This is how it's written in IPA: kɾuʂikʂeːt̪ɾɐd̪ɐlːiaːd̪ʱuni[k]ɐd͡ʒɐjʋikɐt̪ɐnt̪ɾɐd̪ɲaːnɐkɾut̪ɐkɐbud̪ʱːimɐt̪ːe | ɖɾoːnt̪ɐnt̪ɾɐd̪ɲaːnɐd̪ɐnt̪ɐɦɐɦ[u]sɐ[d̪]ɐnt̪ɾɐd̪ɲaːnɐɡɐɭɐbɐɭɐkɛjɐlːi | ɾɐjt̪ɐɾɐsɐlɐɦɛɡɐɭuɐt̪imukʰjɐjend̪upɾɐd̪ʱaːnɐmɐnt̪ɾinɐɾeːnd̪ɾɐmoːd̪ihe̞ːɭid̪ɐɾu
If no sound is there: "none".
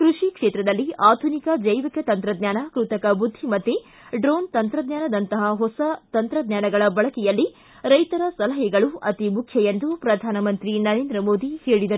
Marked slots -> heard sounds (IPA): k, ɔ, t̪

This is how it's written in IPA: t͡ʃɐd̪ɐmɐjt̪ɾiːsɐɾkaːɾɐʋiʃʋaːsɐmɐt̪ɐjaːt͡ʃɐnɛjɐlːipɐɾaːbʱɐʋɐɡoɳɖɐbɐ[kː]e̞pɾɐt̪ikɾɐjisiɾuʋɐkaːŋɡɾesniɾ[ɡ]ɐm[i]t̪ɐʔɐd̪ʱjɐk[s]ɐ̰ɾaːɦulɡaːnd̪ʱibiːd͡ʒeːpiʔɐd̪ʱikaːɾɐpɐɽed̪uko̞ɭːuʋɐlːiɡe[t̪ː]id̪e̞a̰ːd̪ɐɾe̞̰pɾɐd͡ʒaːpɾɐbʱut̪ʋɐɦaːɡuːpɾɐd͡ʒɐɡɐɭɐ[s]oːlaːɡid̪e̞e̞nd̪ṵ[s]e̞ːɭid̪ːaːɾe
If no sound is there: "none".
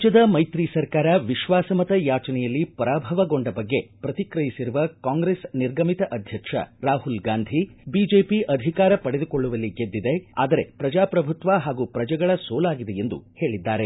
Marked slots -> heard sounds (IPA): ɡː, ɡ, i, ʂ, d̪ː, s, h

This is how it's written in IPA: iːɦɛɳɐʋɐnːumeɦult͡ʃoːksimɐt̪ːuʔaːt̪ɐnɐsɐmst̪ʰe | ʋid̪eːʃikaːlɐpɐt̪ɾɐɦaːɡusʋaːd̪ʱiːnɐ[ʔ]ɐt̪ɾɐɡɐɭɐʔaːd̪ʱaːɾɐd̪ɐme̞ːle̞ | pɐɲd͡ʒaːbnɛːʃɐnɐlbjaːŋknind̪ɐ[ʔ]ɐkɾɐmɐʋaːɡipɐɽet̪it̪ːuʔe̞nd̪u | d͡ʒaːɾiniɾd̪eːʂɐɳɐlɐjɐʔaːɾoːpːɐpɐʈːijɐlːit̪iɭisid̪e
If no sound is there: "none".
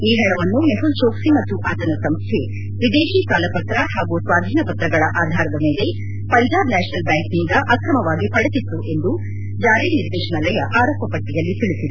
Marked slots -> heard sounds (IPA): p, ʔ

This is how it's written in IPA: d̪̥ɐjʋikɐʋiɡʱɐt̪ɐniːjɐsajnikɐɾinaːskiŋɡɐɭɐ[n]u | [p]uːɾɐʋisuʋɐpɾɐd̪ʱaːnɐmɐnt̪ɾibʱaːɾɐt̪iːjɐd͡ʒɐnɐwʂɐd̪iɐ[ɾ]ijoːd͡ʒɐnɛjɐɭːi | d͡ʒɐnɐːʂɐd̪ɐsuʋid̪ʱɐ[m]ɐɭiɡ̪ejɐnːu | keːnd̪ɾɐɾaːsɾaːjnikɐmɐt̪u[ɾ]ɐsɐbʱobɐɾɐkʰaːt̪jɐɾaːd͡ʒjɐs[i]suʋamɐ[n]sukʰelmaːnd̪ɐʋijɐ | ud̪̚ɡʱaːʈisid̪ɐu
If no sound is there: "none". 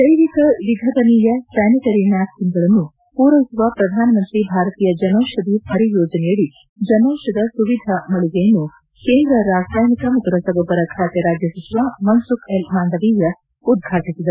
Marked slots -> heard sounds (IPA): nː, p, ɾ, m, ɾ, i, n

